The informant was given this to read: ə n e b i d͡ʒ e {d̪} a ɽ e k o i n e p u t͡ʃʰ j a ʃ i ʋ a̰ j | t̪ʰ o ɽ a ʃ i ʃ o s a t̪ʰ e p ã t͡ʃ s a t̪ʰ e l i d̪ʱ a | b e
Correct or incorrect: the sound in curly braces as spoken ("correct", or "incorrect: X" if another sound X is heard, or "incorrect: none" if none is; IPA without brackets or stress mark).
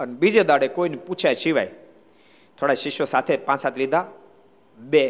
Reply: correct